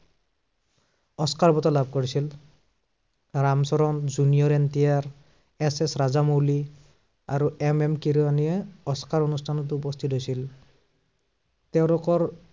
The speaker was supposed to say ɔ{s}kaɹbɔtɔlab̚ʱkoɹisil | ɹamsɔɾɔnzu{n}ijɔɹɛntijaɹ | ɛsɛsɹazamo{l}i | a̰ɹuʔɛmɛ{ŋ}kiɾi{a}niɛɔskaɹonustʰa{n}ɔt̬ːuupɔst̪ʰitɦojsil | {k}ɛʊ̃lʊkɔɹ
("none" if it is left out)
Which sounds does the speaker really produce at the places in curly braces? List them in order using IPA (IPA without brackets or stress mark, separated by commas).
s, n, l, m, a, n, t